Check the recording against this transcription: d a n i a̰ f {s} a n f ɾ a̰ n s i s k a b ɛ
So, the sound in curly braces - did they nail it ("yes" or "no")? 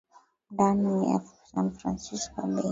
yes